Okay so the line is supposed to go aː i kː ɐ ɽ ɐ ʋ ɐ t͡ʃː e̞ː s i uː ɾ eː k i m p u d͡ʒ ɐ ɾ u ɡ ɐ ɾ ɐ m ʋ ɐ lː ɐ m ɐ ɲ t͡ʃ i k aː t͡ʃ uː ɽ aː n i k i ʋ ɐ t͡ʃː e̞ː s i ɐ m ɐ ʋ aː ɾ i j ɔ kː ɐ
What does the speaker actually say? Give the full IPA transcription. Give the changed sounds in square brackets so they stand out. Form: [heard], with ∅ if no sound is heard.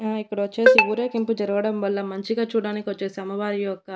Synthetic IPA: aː i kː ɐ ɽ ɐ ʋ ɐ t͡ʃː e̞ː s i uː ɾ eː k i m p u d͡ʒ ɐ ɾ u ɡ ɐ [ɽ] ɐ m ʋ ɐ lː ɐ m ɐ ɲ t͡ʃ i [ɡ] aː t͡ʃ uː ɽ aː n i k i ʋ ɐ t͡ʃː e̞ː s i ɐ m ɐ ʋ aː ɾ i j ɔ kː ɐ